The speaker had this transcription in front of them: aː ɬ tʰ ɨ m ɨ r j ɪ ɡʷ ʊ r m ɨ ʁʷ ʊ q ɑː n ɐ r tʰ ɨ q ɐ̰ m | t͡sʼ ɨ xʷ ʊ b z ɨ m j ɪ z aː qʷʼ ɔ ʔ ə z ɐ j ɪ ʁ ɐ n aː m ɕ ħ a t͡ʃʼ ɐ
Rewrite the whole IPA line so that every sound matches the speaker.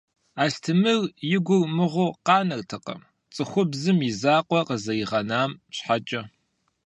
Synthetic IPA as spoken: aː ɬ tʰ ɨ m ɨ r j ɪ ɡʷ ʊ r m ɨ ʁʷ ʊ q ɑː n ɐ r tʰ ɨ q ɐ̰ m | t͡sʼ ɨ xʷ ʊ b z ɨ m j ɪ z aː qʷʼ ɔ q ə z ɐ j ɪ ʁ ɐ n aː m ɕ ħ a t͡ʃʼ ɐ